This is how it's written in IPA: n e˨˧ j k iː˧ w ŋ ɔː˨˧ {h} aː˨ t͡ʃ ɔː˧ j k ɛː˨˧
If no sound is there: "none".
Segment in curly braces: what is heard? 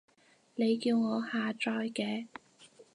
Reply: h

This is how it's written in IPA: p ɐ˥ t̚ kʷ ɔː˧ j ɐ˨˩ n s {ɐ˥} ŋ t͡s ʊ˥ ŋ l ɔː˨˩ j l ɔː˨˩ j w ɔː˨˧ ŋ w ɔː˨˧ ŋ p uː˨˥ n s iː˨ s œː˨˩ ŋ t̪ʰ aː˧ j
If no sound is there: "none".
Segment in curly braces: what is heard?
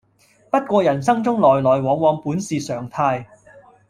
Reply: ɐ˥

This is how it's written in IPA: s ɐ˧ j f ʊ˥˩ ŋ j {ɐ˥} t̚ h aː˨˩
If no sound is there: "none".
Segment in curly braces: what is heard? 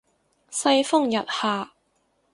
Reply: ɐ˨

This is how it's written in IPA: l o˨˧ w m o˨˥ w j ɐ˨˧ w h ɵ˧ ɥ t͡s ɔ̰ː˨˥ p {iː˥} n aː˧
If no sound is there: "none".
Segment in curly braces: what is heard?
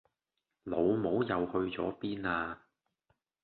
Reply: iː˥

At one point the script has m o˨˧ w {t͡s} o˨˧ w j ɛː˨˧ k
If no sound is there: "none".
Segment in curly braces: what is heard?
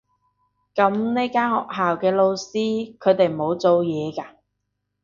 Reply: t͡s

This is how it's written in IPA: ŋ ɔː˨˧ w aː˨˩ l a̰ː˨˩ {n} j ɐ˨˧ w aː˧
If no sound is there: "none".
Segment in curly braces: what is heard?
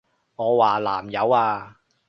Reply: m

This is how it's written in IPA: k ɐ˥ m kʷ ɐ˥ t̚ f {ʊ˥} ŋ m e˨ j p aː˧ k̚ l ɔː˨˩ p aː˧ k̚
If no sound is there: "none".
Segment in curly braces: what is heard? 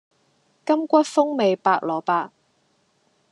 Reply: ʊ˥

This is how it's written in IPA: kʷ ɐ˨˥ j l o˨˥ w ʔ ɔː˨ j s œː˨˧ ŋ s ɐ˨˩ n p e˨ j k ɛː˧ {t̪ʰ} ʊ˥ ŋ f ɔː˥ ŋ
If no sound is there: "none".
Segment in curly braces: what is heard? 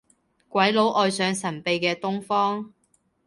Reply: t̪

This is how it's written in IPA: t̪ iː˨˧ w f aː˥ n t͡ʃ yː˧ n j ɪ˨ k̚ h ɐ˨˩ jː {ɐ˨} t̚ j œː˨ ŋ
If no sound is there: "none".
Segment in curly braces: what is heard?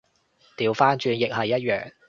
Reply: ɐ˥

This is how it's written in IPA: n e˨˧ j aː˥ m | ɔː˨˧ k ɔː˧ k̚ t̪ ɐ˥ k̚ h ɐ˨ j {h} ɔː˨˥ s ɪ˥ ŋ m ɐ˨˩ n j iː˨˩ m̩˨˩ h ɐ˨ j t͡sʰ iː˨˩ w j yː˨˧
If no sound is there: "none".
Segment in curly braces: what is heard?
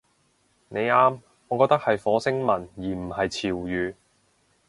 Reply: f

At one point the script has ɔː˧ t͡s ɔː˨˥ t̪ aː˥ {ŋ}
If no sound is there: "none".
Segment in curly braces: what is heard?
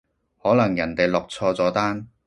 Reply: n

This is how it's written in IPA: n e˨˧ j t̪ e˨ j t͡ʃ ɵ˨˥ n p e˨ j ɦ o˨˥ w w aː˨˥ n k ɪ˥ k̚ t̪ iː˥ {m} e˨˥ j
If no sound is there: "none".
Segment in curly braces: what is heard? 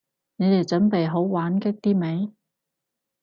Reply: m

